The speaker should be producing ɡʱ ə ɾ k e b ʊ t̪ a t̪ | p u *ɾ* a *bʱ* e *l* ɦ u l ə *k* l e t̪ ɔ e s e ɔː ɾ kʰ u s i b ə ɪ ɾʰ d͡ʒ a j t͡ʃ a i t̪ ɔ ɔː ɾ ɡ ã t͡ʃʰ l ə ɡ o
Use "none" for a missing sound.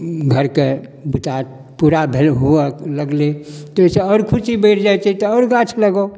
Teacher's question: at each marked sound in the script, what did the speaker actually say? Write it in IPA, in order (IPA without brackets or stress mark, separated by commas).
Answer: ɾ, bʱ, l, ɡ